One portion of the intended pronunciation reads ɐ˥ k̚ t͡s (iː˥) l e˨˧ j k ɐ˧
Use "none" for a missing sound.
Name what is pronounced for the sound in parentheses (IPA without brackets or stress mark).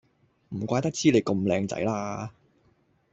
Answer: iː˥